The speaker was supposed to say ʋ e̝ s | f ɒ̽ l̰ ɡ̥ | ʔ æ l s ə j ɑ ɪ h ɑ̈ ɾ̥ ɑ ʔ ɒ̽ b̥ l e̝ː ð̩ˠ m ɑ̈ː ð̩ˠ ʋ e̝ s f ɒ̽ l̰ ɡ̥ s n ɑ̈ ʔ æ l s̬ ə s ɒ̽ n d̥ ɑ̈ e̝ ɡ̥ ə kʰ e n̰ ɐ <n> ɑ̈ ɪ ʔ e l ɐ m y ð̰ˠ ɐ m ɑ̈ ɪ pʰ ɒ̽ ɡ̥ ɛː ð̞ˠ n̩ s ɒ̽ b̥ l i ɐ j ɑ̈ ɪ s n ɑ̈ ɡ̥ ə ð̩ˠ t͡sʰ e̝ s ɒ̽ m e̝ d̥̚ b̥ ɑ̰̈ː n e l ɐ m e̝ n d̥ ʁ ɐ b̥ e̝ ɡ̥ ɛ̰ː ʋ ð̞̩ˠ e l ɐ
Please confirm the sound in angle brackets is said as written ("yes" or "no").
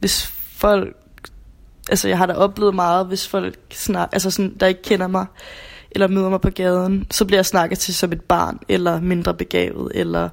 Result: no